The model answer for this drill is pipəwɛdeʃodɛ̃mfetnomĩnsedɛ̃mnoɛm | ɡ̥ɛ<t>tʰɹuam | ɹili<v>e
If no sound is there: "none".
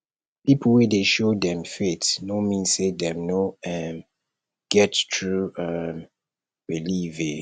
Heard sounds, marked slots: t, v

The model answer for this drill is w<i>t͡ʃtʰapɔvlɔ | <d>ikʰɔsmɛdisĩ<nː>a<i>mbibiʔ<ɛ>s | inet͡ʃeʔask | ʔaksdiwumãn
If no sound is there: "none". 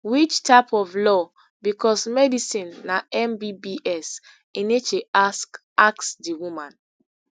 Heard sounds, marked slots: i, b, nː, ɛ, ɛ

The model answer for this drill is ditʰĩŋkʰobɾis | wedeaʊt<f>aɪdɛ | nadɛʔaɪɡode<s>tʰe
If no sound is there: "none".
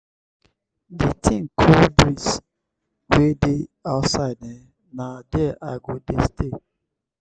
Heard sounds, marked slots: s, s

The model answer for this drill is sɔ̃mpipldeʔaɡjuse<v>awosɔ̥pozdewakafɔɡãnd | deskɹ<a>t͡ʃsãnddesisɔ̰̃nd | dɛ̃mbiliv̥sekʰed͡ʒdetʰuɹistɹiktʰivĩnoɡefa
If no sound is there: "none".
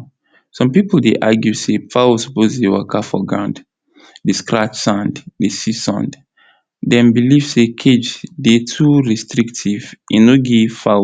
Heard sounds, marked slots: f, a

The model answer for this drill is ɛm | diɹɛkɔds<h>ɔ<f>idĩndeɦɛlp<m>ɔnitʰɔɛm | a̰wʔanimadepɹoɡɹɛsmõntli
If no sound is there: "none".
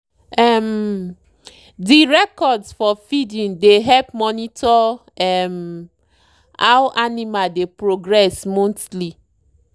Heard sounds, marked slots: f, f, m

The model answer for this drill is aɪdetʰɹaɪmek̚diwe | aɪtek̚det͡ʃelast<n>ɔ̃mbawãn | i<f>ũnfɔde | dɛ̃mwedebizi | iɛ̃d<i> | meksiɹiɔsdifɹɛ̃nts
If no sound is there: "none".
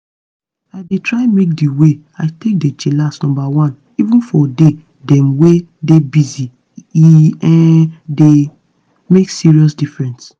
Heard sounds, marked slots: n, v, e

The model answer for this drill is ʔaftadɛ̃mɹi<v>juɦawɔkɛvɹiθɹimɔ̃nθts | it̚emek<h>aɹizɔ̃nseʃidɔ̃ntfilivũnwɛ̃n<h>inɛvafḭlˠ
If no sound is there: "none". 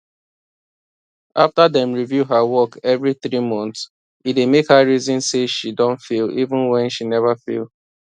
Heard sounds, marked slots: v, h, ʃ

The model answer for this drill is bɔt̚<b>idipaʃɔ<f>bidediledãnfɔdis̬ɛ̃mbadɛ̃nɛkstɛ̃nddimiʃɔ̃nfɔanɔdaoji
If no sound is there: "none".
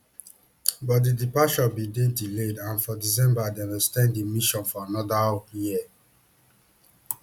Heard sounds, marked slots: d, none

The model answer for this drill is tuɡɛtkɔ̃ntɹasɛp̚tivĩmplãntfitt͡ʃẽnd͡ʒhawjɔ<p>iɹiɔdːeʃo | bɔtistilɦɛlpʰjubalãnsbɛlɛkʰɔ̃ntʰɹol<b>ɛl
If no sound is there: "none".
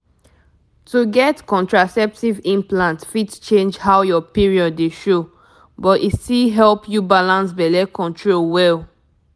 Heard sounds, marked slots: p, w

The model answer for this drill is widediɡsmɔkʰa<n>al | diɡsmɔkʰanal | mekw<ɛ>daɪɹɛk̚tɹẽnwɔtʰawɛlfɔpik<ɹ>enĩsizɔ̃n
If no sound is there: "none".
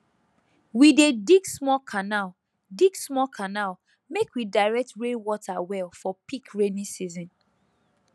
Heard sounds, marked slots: n, i, ɹ

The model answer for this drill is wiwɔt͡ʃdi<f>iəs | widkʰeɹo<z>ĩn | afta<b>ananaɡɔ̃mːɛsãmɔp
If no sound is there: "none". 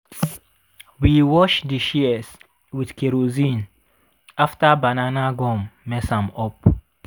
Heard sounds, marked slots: ʃ, z, b

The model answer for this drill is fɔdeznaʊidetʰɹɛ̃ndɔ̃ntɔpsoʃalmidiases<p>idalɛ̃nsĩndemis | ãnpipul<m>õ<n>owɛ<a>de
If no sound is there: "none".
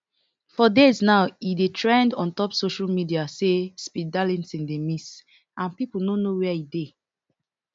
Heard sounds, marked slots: p, n, n, i

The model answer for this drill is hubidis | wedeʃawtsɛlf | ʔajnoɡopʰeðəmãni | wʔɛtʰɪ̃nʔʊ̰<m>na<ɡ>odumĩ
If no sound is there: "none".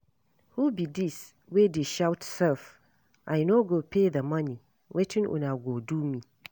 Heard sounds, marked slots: none, ɡ

